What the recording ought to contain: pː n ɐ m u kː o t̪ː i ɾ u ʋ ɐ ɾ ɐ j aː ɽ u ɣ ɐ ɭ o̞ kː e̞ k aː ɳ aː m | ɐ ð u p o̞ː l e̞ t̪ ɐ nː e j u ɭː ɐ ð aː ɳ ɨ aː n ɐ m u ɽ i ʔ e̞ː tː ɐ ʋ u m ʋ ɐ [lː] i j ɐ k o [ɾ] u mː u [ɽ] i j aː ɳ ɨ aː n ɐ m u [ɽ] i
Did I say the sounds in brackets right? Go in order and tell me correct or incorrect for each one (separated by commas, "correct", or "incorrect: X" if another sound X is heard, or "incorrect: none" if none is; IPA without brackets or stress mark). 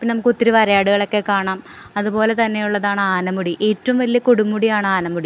incorrect: l, incorrect: ɽ, correct, correct